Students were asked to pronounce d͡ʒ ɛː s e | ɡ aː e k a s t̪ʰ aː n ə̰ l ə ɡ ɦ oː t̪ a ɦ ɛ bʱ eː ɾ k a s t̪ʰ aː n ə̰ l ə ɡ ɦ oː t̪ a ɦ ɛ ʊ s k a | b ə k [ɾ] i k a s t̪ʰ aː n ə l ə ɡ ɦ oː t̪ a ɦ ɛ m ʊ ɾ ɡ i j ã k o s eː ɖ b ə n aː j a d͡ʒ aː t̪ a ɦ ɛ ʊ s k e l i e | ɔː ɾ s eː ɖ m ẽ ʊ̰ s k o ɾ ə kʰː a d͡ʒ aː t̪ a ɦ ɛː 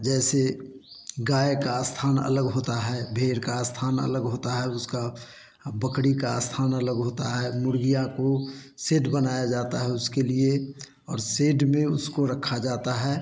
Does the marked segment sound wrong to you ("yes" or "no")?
yes